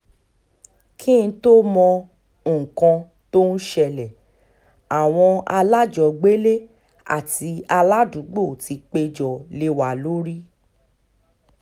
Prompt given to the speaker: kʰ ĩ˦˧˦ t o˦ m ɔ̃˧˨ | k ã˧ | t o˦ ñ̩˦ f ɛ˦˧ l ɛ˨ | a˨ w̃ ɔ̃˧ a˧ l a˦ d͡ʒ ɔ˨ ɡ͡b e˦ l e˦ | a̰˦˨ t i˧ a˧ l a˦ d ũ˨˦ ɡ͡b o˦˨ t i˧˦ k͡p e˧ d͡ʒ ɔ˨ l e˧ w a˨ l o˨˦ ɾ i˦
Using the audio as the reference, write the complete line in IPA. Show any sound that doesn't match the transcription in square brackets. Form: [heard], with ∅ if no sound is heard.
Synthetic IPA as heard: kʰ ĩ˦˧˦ t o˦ m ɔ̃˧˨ | k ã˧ | t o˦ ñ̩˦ [ʃ] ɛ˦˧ l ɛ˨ | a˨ w̃ ɔ̃˧ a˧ l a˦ d͡ʒ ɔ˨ ɡ͡b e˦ l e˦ | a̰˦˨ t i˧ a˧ l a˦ d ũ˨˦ ɡ͡b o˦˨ t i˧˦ k͡p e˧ d͡ʒ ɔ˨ l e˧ w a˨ l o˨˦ ɾ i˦